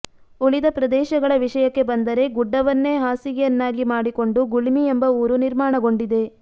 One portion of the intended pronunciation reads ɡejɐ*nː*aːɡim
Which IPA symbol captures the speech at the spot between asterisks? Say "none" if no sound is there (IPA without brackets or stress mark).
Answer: nː